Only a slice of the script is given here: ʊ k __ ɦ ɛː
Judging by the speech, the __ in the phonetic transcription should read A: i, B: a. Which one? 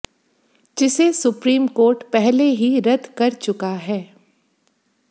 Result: B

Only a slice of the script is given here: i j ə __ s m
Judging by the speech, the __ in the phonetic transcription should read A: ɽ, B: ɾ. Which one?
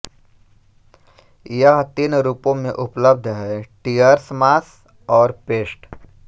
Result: B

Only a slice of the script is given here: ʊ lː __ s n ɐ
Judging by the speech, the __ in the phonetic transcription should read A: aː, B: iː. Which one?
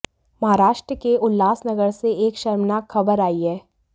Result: A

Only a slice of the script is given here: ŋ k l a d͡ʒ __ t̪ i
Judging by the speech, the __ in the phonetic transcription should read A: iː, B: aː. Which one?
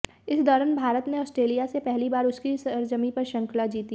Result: A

